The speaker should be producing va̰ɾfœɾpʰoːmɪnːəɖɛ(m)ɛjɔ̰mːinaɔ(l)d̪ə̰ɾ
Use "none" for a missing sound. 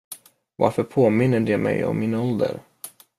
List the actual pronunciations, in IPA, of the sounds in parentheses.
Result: m, l

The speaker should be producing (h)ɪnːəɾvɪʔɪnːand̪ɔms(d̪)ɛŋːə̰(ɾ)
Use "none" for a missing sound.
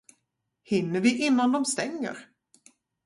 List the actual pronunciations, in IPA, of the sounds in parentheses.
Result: h, t̪, ɾ

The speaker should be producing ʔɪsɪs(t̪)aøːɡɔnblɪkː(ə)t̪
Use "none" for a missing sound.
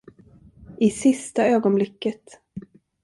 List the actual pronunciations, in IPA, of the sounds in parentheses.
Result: t̪, ə

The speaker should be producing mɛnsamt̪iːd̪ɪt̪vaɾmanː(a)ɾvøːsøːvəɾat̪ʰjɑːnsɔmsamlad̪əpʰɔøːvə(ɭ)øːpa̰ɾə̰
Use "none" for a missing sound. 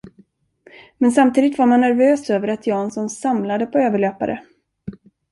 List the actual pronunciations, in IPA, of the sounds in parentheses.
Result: æ, ɭ

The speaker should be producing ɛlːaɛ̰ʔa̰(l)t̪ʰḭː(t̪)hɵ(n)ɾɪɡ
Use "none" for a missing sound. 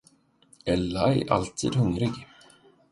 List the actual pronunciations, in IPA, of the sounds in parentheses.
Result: l, d̪, ŋ

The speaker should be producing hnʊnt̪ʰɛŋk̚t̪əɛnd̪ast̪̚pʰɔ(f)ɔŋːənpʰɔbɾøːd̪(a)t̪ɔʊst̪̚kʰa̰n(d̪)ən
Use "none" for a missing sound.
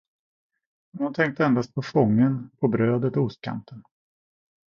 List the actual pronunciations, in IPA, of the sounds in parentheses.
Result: f, ə, t̪

